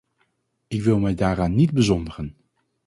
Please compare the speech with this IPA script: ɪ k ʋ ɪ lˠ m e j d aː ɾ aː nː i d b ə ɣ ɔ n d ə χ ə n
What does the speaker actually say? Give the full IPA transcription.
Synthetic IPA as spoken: ɪ k ʋ ɪ lˠ m ɛ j d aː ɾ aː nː i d b ə z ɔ n d ə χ ə n